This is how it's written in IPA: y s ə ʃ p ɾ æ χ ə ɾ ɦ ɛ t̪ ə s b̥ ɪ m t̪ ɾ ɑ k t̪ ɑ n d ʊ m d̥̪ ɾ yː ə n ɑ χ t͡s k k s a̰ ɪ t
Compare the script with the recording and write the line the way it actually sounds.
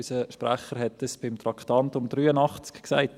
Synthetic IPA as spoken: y s ə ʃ p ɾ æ χ ə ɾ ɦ ɛ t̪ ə s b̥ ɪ m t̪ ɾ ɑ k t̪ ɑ n t ʊ m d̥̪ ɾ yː ə n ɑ χ t͡s k k s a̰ ɪ t